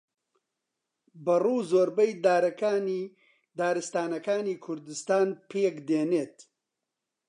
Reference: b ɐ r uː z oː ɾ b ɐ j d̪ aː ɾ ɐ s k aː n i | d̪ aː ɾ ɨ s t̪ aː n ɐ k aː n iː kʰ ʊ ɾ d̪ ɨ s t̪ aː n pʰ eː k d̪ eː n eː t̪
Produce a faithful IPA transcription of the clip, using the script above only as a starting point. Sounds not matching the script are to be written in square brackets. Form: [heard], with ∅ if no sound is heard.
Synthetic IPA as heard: b ɐ r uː z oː ɾ b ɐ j d̪ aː ɾ ɐ [∅] k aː n i | d̪ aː ɾ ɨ s t̪ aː n ɐ k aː n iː kʰ ʊ ɾ d̪ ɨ s t̪ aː n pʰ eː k d̪ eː n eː t̪